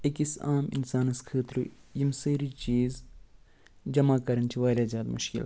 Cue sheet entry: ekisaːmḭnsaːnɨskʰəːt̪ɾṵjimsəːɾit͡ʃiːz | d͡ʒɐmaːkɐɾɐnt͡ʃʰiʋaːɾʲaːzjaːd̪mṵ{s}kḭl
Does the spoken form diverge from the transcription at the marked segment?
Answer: yes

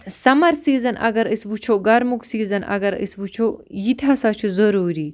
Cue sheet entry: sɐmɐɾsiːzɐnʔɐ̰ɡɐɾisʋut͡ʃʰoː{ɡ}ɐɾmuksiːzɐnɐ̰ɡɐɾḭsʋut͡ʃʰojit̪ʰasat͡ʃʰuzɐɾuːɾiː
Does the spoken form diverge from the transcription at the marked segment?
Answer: no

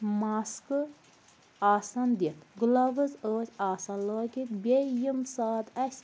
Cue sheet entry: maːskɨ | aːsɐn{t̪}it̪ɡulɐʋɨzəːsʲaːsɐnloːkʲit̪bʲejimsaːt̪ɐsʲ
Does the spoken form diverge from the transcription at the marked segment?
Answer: yes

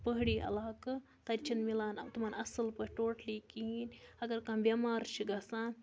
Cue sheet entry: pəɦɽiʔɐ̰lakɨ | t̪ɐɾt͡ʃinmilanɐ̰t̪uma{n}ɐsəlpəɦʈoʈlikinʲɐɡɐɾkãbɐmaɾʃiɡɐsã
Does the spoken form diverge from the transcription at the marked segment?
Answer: no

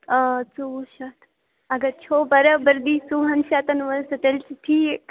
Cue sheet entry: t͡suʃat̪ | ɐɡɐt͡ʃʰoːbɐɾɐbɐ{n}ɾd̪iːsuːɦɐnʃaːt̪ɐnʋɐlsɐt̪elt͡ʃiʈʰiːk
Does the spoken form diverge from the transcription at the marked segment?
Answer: yes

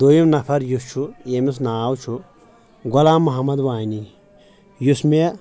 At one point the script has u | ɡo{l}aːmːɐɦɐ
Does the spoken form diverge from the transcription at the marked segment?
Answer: no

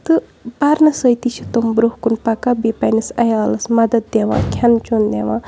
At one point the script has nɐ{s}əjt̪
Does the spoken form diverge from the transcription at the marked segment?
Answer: no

